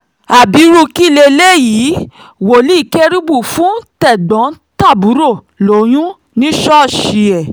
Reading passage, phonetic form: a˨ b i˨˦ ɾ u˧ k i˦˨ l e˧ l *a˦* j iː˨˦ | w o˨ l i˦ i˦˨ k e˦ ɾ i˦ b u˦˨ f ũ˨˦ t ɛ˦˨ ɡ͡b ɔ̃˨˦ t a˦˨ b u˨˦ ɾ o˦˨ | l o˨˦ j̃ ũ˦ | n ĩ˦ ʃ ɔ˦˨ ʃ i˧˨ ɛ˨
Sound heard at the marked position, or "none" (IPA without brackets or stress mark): e˦